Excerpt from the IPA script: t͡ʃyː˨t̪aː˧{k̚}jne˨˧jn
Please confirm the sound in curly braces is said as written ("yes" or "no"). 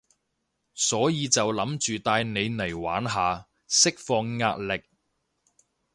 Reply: no